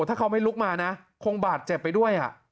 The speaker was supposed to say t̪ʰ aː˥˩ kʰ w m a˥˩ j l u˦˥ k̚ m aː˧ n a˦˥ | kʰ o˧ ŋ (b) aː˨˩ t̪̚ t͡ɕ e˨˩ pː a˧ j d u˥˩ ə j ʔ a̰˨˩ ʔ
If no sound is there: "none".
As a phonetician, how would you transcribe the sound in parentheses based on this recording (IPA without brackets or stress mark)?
b